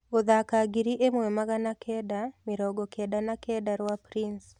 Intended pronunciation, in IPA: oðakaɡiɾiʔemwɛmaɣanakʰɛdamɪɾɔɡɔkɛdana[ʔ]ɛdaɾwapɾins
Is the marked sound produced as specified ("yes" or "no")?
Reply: no